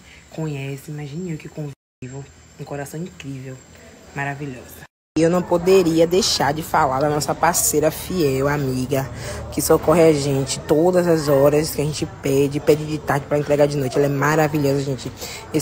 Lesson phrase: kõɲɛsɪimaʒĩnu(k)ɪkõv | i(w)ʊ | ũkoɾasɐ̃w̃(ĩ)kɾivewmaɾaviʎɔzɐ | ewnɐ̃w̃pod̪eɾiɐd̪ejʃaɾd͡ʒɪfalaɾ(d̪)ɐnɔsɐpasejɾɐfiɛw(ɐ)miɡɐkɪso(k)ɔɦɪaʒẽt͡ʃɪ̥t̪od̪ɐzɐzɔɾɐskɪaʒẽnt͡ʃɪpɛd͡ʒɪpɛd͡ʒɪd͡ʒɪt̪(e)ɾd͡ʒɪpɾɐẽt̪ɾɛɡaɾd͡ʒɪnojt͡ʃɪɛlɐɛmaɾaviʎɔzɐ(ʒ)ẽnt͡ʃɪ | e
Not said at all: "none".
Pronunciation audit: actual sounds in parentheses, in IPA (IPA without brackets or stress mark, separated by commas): k, v, ĩ, d̪, a, k, a, ʒ